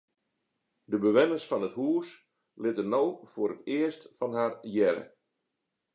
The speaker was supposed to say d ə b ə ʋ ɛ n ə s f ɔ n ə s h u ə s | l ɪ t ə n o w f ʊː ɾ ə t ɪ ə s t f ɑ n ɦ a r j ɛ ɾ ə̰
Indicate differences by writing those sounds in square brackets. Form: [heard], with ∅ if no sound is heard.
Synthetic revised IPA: d ə b ə ʋ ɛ n ə s f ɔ n ə [t] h u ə s | l ɪ t ə n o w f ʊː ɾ ə t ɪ ə s t f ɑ n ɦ a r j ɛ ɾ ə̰